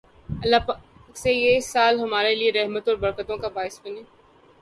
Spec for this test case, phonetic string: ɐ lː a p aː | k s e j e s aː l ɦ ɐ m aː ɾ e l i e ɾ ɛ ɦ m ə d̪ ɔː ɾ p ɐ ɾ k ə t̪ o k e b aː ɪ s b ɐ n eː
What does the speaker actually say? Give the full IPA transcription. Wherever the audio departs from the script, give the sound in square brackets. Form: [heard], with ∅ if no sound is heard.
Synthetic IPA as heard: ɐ lː a p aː | k s e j e s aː l ɦ ɐ m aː ɾ e l i e ɾ ɛ ɦ m ə [t̪] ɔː ɾ [b] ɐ ɾ k ə t̪ [õ] k [a] b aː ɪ s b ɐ n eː